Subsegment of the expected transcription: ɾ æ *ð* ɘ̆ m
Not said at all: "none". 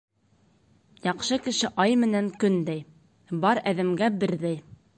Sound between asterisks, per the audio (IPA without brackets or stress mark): ð